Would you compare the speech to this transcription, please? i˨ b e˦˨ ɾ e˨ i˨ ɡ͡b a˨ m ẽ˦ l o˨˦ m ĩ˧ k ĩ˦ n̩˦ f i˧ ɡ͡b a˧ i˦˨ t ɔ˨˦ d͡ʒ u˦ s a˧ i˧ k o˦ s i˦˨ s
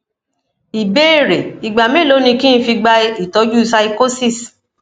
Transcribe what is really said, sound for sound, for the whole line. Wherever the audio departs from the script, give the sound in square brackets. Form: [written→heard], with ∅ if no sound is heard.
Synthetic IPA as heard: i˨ b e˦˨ ɾ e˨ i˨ ɡ͡b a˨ m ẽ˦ l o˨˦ [m→n] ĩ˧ k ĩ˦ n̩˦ f i˧ ɡ͡b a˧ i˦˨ t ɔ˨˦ d͡ʒ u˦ s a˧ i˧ k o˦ s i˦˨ s

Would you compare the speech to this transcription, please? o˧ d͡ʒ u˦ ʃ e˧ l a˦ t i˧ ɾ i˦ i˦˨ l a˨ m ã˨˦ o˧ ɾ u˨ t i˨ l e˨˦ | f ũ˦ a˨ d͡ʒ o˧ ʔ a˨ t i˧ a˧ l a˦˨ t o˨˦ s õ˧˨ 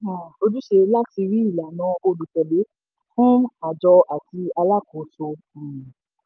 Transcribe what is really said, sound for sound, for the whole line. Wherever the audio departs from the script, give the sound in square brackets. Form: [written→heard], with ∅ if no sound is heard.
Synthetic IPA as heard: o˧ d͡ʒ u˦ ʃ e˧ l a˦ t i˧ ɾ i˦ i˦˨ l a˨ [m→n] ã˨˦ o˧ [ɾ→l] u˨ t [i˨→ɛ˨] l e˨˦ | f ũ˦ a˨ d͡ʒ [o˧→ɔ˧] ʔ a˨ t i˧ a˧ l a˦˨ [t→k] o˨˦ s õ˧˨

